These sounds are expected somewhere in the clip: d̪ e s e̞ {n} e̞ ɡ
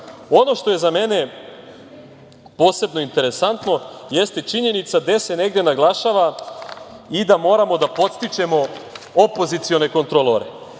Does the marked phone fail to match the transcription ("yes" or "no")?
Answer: no